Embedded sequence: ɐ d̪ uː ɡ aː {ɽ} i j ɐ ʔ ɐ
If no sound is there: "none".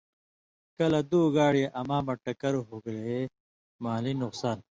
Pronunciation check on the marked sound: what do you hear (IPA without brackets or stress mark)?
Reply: ɽ